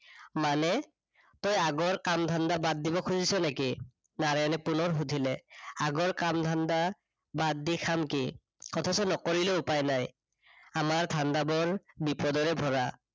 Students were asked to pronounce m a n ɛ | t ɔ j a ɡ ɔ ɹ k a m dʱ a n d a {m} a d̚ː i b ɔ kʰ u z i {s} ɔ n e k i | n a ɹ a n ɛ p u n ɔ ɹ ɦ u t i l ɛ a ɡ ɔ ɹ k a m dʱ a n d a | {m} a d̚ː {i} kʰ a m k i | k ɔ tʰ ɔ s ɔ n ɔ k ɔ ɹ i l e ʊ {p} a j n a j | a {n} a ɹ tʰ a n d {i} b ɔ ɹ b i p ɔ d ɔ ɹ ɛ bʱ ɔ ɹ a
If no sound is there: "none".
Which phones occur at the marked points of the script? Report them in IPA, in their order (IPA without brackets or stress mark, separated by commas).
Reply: b, s, b, i, p, m, a